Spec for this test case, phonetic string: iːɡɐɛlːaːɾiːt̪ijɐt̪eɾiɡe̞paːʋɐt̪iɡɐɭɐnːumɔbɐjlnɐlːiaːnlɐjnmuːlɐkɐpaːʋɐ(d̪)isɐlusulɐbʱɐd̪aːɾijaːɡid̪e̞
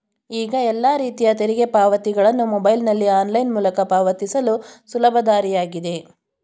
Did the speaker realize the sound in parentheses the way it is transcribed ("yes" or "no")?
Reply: no